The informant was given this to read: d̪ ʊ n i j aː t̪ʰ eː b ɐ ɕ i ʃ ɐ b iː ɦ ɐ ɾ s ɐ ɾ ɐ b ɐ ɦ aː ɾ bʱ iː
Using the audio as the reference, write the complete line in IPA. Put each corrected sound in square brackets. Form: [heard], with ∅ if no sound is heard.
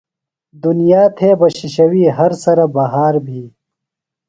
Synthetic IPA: d̪ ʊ n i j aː t̪ʰ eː b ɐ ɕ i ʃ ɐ [w] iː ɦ ɐ ɾ s ɐ ɾ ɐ b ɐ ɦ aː ɾ bʱ iː

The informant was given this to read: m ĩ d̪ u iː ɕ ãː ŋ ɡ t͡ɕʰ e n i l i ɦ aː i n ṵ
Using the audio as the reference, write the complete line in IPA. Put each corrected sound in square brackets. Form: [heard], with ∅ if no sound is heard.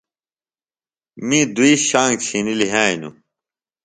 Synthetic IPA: m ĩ d̪ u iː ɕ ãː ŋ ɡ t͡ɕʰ [i] n i l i ɦ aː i n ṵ

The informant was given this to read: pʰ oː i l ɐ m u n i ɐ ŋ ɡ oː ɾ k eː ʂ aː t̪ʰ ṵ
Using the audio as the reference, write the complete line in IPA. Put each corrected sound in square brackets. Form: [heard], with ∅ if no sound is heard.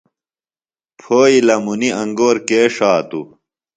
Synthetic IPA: pʰ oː i l ɐ m u n i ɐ ŋ ɡ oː ɾ k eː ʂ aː [t̪] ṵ

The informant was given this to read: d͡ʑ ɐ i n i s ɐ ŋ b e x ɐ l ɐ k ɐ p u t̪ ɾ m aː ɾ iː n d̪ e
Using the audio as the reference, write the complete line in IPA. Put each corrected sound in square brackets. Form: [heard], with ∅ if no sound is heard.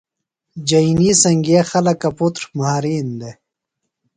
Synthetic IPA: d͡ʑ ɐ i n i s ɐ ŋ [ɡ] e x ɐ l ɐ k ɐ p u t̪ ɾ m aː ɾ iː n d̪ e

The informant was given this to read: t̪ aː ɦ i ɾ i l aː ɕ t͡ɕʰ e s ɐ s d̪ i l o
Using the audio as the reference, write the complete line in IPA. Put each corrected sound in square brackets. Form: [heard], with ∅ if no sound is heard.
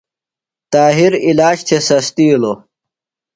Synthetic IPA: t̪ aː ɦ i ɾ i l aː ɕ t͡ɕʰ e s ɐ s [t̪] i l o

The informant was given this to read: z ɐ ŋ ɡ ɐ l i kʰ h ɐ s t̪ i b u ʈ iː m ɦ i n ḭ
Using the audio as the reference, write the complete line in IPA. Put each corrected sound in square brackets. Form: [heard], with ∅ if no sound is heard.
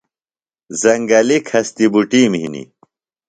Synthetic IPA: z ɐ ŋ ɡ ɐ l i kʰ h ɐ s t̪ i b u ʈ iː m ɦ i n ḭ

